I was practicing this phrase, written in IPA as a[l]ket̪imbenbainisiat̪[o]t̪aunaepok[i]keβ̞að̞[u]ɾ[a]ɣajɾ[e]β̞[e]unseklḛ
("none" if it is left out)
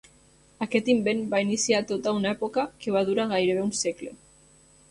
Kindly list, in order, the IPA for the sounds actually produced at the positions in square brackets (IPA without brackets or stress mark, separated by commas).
none, o, a, u, a, e, e